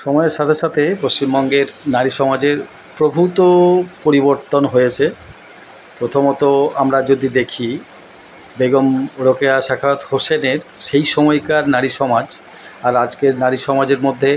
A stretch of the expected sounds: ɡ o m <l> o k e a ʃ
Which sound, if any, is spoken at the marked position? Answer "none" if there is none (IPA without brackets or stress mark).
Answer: ɾ